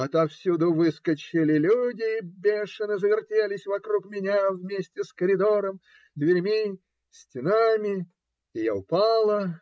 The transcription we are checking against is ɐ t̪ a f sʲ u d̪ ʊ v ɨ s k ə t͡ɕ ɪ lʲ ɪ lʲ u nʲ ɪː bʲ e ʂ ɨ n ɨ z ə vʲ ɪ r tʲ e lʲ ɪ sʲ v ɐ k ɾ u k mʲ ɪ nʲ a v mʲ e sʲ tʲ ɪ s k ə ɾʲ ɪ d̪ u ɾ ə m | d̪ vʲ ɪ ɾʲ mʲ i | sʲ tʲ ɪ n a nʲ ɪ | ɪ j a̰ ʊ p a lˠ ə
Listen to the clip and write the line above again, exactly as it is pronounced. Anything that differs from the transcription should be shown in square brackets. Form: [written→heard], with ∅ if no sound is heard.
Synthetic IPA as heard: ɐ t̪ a f sʲ u d̪ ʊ v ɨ s k ə t͡ɕ ɪ lʲ ɪ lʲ u [nʲ→dʲ] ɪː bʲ e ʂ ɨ n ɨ z ə vʲ ɪ r tʲ e lʲ ɪ sʲ v ɐ k ɾ u k mʲ ɪ nʲ a v mʲ e sʲ tʲ ɪ s k ə ɾʲ ɪ d̪ [u→o] ɾ ə m | d̪ vʲ ɪ ɾʲ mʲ i | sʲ tʲ ɪ n a [nʲ→mʲ] ɪ | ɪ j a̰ ʊ p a lˠ ə

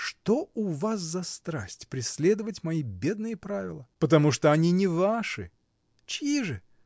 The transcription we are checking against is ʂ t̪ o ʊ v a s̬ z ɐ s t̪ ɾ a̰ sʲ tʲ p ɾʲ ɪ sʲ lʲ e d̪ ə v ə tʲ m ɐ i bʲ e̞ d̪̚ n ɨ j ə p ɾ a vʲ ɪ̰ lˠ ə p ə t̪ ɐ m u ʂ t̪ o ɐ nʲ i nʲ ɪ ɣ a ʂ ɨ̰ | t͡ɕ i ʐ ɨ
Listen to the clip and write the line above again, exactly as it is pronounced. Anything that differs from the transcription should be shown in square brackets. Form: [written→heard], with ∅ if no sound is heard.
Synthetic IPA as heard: ʂ t̪ o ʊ v a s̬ z ɐ s t̪ ɾ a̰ sʲ tʲ p ɾʲ ɪ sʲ lʲ e d̪ ə v ə tʲ m ɐ i bʲ e̞ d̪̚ n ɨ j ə p ɾ a vʲ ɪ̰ lˠ ə p ə t̪ ɐ m u ʂ t̪ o ɐ nʲ i nʲ ɪ [ɣ→v] a ʂ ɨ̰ | t͡ɕ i ʐ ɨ

